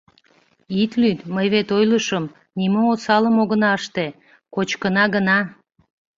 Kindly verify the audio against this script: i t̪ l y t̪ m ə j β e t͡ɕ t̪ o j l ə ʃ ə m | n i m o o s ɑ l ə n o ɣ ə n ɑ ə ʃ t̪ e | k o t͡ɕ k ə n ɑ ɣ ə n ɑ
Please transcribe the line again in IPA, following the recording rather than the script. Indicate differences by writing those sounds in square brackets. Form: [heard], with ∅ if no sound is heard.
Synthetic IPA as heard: i t̪ l y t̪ m ə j β e [∅] t̪ o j l ə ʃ ə m | n i m o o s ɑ l ə [m] o ɣ ə n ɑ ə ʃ t̪ e | k o t͡ɕ k ə n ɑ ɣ ə n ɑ